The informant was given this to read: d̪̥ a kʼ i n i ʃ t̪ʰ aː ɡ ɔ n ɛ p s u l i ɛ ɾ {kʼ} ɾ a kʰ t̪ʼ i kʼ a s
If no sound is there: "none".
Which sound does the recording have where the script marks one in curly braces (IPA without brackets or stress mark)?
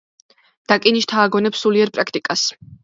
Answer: pʼ